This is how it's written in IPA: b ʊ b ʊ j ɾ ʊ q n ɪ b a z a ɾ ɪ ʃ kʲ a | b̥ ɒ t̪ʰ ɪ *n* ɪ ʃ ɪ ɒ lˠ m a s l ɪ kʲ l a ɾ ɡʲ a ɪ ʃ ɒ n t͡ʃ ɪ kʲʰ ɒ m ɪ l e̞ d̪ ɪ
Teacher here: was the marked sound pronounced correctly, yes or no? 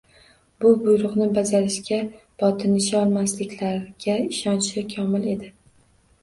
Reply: yes